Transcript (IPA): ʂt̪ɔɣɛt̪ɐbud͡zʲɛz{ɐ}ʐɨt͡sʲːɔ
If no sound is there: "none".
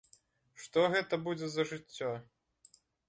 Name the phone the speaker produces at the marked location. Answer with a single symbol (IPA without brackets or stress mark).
ɐ